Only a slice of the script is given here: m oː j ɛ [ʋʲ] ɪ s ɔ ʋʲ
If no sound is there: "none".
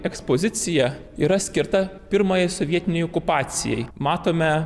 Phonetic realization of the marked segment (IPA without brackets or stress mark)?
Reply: none